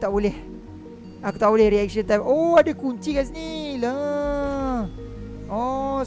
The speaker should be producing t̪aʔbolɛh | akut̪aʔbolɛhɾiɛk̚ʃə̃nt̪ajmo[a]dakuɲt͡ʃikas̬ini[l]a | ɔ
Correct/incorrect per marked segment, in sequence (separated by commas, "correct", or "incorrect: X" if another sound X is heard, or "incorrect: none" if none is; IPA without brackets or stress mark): correct, correct